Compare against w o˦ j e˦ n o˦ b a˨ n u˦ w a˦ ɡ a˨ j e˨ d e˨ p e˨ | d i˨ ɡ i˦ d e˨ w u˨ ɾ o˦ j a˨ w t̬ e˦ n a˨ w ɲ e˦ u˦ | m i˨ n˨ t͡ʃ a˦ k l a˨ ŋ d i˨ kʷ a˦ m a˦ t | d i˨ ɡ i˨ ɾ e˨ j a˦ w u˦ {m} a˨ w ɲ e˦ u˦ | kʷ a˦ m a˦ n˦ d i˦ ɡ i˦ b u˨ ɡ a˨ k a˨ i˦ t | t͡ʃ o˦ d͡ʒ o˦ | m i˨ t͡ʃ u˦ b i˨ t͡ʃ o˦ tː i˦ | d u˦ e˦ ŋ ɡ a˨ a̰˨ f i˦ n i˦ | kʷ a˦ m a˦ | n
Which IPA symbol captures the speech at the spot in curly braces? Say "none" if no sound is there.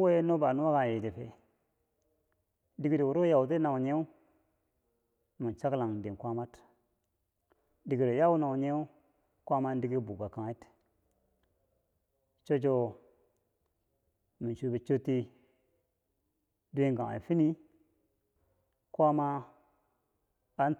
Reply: n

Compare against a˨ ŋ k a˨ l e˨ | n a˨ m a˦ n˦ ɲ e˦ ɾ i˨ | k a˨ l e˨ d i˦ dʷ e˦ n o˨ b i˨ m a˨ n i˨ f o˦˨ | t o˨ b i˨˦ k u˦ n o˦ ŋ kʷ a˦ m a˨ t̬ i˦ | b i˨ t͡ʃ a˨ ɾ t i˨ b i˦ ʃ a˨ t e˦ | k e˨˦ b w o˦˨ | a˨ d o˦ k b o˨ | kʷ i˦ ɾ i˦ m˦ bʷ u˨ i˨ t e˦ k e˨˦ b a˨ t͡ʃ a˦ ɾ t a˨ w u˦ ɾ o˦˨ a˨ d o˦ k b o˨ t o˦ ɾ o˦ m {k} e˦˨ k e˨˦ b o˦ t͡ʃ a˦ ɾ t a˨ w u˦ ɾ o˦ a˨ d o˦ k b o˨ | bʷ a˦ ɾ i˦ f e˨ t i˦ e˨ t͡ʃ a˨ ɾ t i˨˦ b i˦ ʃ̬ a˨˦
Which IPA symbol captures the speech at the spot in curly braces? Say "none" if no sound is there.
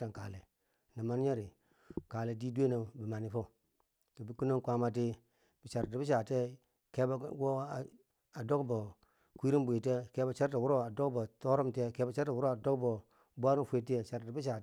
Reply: t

